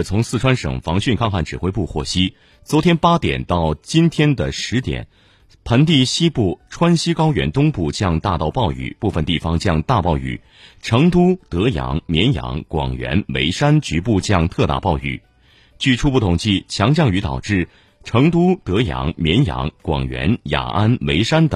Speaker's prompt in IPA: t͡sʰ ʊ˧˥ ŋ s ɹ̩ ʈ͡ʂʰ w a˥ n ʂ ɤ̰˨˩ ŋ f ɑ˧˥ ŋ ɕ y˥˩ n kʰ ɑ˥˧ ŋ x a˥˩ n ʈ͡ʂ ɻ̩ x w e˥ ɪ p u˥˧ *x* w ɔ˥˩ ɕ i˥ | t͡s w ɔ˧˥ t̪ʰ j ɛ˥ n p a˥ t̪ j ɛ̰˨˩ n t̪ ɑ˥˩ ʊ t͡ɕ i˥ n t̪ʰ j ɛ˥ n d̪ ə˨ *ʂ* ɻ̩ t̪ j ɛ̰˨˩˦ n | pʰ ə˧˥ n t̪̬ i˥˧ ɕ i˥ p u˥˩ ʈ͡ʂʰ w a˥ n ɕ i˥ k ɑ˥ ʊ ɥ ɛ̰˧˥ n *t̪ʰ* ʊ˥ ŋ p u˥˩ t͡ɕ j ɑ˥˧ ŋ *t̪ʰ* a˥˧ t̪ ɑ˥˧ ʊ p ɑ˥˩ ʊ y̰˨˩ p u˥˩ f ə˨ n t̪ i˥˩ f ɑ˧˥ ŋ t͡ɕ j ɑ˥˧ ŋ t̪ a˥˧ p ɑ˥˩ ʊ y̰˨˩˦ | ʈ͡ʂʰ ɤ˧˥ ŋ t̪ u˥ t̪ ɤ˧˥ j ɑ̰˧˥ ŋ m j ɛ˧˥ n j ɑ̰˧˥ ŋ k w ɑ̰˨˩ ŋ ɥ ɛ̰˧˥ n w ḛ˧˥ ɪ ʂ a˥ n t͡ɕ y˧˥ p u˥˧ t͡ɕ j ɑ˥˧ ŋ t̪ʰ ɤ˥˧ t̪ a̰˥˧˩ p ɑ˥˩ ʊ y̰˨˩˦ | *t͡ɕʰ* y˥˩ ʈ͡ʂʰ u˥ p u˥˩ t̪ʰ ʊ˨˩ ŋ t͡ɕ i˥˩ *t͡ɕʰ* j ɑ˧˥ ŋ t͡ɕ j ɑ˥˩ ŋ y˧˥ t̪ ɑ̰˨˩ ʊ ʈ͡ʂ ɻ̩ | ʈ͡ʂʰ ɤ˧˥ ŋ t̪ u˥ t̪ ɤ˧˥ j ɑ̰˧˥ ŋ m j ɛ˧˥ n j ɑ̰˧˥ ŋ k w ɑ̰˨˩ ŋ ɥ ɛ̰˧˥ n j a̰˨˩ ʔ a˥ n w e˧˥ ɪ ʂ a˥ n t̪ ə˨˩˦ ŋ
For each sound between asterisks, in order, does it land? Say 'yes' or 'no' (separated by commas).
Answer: yes, yes, no, no, no, yes